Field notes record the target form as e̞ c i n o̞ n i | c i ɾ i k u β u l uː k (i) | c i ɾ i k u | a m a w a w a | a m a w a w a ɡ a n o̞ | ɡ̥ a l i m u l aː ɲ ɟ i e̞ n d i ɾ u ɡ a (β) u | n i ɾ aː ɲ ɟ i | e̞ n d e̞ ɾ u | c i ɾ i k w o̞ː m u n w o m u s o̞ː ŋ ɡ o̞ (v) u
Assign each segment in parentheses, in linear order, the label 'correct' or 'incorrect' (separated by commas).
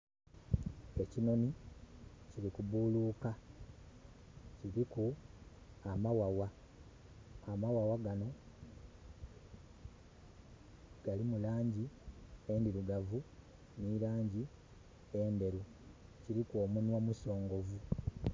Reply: incorrect, incorrect, correct